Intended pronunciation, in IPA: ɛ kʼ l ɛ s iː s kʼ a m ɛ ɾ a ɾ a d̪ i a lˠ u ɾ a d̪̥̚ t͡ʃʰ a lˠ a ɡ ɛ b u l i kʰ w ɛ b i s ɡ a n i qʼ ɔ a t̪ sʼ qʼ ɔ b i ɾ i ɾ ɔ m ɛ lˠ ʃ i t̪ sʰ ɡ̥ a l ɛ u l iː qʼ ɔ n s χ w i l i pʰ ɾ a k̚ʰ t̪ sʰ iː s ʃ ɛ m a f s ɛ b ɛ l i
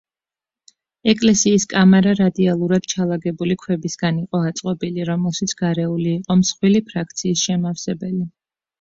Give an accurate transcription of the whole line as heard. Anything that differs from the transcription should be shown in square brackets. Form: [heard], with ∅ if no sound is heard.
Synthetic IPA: ɛ kʼ l ɛ s iː s kʼ a m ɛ ɾ a ɾ a d̪ i a lˠ u ɾ a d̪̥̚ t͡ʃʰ a lˠ a ɡ ɛ b u l i kʰ w ɛ b i s ɡ a n i qʼ ɔ a t̪ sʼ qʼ ɔ b i [l] i ɾ ɔ m ɛ lˠ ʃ i t̪ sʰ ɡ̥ a [ɾ] ɛ u l iː qʼ ɔ [m] s χ w i l i pʰ ɾ a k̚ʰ t̪ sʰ iː s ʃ ɛ m a f s ɛ b ɛ l i